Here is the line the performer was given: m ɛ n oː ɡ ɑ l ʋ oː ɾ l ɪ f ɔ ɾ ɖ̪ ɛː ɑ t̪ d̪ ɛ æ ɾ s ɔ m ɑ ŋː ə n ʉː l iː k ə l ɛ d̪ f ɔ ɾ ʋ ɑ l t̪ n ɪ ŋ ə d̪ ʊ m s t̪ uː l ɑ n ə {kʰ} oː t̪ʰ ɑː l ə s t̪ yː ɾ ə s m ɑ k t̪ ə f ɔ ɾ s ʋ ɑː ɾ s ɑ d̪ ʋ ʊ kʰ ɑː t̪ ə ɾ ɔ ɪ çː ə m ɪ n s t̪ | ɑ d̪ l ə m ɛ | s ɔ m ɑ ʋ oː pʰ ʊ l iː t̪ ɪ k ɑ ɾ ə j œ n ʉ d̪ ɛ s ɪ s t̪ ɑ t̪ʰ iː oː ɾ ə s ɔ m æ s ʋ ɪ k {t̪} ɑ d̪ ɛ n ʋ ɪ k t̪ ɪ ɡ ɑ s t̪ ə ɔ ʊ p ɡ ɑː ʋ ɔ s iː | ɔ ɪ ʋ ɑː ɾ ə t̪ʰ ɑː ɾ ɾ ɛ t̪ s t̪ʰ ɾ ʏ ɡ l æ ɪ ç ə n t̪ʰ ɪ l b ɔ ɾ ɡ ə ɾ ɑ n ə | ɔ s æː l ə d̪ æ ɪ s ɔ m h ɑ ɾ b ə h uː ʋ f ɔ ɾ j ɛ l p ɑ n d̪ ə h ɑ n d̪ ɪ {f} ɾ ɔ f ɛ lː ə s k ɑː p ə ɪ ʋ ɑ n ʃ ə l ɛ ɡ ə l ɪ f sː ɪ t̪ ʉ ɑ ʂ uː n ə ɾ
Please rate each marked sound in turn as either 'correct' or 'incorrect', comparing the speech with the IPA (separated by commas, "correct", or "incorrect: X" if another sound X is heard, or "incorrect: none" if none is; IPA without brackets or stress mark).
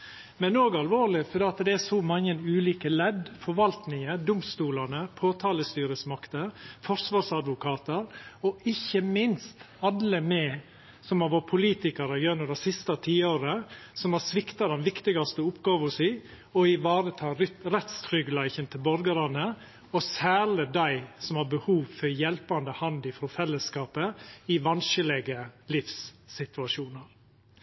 incorrect: pʰ, correct, correct